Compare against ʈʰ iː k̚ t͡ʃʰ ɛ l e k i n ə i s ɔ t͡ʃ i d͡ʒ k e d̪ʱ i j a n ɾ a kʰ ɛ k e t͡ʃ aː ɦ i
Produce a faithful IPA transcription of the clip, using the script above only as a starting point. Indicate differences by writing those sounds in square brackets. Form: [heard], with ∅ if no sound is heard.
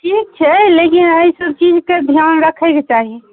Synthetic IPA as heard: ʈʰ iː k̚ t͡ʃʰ ɛ l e k i n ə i s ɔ t͡ʃ i d͡ʒ k e d̪ʱ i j a n ɾ [ə] kʰ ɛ k e t͡ʃ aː ɦ i